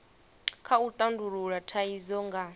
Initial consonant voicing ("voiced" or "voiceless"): voiceless